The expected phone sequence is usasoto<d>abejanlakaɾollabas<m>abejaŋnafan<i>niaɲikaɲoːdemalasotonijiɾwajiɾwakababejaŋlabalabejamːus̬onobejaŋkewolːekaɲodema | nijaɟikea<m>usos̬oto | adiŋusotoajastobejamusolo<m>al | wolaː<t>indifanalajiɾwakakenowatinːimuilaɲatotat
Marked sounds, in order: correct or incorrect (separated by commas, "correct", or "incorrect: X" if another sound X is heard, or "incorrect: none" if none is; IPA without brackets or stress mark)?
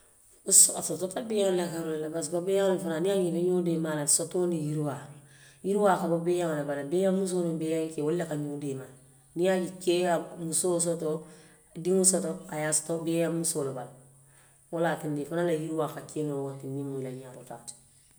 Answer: incorrect: t, incorrect: b, incorrect: a, correct, incorrect: b, correct